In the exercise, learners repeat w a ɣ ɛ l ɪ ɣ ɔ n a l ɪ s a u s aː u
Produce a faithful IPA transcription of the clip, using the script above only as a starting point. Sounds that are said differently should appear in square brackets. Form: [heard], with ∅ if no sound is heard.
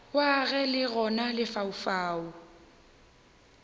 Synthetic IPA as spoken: w a ɣ ɛ l ɪ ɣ ɔ n a l ɪ [f] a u [f] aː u

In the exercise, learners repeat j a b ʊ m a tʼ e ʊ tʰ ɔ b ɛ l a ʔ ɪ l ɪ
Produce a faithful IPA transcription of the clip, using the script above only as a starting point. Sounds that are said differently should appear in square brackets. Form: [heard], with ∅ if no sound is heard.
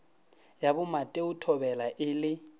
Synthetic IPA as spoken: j a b ʊ m a tʼ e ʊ tʰ ɔ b ɛ l a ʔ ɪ l ɪ

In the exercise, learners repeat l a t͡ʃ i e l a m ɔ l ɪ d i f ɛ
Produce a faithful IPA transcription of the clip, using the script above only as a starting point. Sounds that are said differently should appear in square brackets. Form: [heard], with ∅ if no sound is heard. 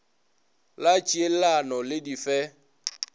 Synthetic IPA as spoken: l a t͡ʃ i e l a [n] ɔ l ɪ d i f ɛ

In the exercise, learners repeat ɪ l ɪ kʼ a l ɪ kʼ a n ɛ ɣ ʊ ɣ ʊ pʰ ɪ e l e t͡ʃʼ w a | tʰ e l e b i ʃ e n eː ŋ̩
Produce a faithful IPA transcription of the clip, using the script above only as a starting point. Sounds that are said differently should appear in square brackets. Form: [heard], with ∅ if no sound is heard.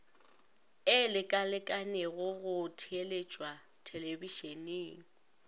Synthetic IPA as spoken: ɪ l ɪ kʼ a l ɪ kʼ a n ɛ ɣ ʊ ɣ ʊ [tʰ] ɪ e l e t͡ʃʼ w a | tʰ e l e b i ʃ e n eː ŋ̩

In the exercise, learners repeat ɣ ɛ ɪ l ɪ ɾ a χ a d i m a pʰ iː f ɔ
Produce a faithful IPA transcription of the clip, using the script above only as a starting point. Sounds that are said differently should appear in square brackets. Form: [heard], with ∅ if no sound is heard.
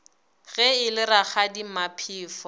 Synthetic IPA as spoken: ɣ ɛ ɪ l ɪ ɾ a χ a d i m a pʰ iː f ɔ

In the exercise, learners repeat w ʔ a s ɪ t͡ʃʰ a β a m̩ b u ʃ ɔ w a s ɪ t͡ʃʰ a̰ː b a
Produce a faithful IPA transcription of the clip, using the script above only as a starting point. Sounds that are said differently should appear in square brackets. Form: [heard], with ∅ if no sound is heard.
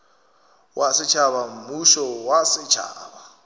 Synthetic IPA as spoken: w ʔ a s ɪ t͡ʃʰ a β a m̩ [m] u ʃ ɔ w a s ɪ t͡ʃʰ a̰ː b a

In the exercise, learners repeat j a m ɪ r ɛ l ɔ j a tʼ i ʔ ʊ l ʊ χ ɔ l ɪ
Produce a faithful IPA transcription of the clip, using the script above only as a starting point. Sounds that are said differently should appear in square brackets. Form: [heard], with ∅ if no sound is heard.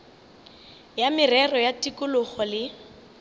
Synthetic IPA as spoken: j a m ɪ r ɛ [r] ɔ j a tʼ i [k] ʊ l ʊ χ ɔ l ɪ

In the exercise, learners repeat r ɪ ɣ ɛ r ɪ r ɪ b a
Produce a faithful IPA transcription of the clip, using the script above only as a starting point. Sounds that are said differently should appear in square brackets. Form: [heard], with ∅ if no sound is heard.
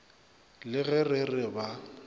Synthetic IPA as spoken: [l] ɪ ɣ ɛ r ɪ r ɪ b a

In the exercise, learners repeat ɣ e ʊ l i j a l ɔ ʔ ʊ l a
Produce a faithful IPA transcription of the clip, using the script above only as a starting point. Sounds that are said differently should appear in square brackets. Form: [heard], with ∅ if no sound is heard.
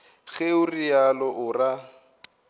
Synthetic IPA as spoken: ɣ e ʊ [r] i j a l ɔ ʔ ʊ [r] a

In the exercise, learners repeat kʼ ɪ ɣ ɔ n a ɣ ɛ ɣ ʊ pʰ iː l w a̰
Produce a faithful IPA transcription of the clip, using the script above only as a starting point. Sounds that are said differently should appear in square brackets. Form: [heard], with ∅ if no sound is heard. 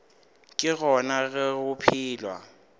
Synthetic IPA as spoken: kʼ ɪ ɣ ɔ n a ɣ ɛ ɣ ʊ pʰ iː l w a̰

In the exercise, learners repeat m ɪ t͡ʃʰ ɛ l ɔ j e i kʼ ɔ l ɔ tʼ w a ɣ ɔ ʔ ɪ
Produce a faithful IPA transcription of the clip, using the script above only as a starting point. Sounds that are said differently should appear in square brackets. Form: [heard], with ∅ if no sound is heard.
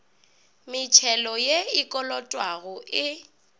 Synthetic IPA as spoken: m ɪ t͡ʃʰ ɛ l ɔ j e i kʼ ɔ l ɔ tʼ w a ɣ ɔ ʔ ɪ

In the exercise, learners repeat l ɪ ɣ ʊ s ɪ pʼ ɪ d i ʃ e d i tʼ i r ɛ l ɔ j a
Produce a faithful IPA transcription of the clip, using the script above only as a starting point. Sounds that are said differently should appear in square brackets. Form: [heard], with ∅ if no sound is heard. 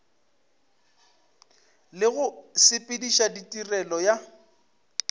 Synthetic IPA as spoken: l ɪ ɣ ʊ s ɪ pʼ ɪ d i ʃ [a] d i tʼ i r ɛ l ɔ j a

